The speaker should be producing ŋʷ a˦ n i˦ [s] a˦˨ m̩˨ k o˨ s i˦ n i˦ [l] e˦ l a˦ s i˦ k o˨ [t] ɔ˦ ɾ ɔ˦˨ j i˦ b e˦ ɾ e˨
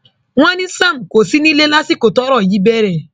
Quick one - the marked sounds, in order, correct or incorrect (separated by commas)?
correct, correct, correct